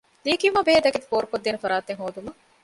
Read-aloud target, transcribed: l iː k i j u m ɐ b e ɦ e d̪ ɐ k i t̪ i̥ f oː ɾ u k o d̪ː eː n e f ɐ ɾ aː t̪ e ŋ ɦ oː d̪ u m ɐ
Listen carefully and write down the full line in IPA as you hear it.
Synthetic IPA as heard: l iː k i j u m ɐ b e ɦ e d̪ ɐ k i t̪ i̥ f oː ɾ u k o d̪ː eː n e f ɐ ɾ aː t̪ e ŋ ɦ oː d̪ u m ɐ